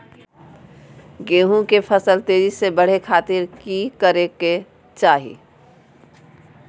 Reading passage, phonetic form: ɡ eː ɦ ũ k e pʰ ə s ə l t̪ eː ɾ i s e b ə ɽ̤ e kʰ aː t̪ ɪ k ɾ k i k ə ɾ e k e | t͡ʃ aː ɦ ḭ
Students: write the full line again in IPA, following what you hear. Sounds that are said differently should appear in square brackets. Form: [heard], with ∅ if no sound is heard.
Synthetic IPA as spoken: ɡ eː ɦ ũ k e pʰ ə s ə l t̪ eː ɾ i s e b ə ɽ̤ e kʰ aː t̪ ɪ [∅] ɾ k i k ə ɾ e k e | t͡ʃ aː ɦ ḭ